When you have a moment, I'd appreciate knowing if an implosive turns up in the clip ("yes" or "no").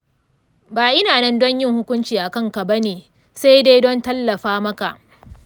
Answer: no